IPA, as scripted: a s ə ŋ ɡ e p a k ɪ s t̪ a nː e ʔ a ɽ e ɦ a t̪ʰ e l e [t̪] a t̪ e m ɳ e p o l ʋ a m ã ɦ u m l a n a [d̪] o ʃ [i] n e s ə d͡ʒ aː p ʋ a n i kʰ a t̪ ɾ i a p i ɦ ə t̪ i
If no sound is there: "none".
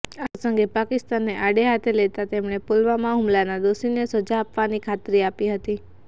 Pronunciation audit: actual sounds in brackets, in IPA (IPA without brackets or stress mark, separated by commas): t̪, d̪, i